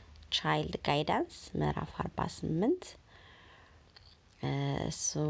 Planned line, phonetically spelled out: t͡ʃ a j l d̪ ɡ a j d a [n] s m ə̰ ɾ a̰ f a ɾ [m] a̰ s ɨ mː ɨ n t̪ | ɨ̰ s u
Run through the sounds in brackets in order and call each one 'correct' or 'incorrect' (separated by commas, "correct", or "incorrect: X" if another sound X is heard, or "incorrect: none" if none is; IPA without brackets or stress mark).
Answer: correct, incorrect: b